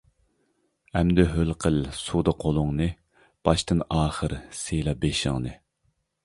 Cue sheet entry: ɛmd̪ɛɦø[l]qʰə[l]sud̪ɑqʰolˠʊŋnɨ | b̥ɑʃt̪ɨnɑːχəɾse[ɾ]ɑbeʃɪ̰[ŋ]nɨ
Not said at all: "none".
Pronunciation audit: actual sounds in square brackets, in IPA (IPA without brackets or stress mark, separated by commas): l, l, l, ŋ